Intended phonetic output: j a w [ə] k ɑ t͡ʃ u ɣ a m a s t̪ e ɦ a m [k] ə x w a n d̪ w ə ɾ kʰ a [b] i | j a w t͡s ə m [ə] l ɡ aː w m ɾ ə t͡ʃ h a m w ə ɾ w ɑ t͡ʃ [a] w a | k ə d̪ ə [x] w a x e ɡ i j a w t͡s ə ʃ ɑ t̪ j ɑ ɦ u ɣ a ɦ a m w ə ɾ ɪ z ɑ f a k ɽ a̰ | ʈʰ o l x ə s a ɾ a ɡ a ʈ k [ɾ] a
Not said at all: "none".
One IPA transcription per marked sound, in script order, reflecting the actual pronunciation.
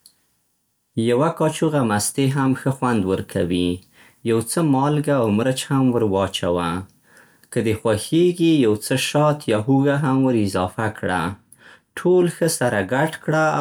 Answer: a, x, w, ɑ, a, x, ɽ

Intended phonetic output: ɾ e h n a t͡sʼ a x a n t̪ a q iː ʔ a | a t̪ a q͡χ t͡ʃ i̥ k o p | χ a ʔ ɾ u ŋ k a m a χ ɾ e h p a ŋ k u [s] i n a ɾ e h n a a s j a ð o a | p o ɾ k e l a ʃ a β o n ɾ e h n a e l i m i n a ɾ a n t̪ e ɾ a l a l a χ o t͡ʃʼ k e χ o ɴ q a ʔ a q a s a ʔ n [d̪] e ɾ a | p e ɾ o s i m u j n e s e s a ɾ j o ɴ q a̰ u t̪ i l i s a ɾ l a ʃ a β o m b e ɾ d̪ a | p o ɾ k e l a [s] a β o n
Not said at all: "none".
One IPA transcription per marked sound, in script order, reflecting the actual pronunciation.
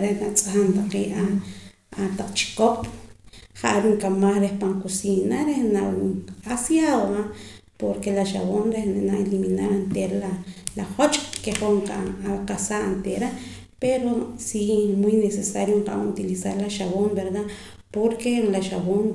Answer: s, t̪, ʃ

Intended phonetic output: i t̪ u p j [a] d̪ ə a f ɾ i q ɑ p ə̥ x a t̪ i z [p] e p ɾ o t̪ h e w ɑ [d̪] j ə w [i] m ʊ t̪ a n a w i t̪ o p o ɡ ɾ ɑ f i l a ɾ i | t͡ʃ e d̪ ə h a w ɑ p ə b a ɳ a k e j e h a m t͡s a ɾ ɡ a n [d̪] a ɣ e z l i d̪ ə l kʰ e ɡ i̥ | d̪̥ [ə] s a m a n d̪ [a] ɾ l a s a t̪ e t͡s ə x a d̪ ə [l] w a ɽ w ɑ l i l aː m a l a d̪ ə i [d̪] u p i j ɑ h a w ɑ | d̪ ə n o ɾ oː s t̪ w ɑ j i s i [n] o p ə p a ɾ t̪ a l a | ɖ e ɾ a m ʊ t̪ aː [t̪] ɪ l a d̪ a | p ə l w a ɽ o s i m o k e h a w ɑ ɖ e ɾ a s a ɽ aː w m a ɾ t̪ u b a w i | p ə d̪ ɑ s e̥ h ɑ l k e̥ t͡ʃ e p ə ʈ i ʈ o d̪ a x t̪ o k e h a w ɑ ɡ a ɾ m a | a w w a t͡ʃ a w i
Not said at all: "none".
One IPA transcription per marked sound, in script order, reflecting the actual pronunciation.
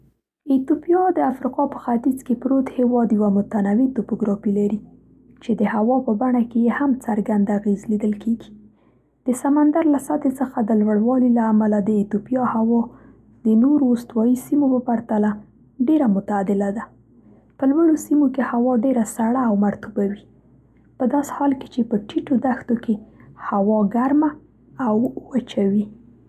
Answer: ɑ, k, d̪, a, d̪, ə, a, l, t̪, m, d̪

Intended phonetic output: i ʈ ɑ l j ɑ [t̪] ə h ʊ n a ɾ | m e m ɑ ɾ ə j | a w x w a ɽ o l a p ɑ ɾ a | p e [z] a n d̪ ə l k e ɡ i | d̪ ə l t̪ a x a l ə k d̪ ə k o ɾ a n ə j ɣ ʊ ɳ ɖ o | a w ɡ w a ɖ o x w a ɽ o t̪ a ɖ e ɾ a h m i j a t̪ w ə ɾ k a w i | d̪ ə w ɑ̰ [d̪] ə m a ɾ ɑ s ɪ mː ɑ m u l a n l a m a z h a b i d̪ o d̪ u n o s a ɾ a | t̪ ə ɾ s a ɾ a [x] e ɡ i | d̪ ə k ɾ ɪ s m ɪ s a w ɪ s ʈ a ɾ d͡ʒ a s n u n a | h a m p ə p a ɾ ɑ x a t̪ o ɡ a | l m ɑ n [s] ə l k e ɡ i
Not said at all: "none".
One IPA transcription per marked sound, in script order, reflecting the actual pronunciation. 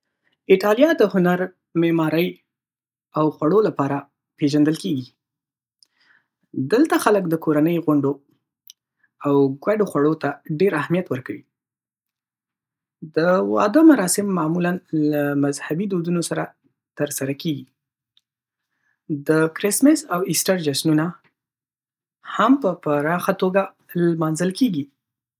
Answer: d̪, ʒ, d̪, k, z

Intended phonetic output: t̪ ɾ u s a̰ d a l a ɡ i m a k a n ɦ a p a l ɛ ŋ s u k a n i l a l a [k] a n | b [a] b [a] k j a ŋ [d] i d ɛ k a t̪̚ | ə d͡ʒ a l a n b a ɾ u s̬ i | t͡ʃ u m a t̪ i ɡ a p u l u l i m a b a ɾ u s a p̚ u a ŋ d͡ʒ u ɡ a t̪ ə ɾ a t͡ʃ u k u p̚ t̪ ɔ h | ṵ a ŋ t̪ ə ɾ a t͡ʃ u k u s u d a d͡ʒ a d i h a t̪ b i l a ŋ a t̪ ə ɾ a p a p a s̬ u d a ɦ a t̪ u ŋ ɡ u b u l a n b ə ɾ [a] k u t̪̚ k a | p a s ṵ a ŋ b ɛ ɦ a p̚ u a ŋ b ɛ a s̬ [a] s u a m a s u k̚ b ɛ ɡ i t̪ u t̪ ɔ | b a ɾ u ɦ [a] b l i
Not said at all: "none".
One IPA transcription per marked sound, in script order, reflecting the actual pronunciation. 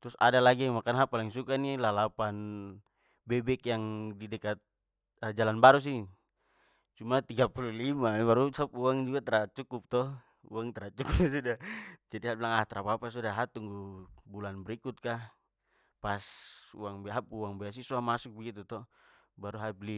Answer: p, ɛ, ɛ, d, i, i, a

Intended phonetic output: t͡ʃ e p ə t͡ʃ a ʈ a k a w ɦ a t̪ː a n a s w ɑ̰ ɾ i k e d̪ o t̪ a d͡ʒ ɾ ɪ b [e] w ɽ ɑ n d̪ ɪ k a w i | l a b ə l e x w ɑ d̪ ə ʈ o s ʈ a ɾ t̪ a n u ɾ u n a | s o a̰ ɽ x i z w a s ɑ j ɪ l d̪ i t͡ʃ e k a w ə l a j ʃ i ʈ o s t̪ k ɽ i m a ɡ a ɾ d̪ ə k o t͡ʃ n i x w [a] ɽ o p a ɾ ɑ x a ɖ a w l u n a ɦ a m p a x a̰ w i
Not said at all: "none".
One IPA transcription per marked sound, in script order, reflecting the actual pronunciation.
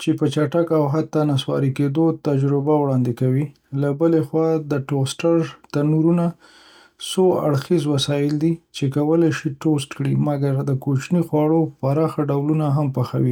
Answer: a, ɑ

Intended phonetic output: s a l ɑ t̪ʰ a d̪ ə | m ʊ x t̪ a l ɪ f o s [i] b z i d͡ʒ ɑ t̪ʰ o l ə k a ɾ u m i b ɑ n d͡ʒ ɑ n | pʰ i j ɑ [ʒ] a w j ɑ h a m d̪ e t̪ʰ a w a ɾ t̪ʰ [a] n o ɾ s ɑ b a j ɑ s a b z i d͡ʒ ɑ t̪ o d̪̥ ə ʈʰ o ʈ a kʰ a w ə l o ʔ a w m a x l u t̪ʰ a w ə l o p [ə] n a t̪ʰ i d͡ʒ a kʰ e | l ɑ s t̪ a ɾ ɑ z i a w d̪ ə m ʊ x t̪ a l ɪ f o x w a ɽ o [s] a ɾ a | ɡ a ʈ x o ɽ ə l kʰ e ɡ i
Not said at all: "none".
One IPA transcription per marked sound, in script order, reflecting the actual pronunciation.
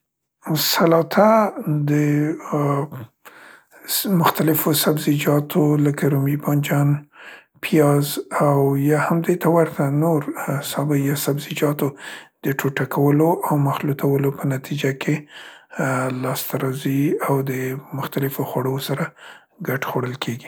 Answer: a, z, a, ə, s

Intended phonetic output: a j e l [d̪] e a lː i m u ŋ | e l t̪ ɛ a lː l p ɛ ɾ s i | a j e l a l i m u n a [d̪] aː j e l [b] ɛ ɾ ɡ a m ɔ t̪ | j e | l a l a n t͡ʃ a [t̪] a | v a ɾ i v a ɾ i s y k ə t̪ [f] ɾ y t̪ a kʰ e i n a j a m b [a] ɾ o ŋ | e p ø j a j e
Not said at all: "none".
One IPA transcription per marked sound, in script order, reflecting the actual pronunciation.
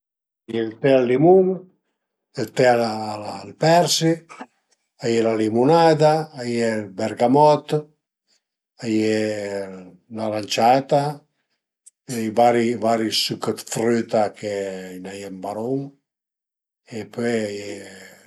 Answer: t̪, d̪, b, t̪, f, a

